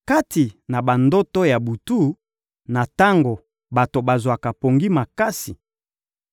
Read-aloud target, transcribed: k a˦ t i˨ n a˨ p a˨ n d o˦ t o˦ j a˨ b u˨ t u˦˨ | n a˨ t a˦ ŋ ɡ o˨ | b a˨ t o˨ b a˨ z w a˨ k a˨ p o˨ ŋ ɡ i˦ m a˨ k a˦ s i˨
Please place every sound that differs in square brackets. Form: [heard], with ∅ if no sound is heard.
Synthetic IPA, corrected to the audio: k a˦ t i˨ n a˨ [b] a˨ n d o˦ t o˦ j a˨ b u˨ t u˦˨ | n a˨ t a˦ ŋ ɡ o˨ | b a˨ t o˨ b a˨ z w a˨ k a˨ p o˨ ŋ ɡ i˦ m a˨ k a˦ s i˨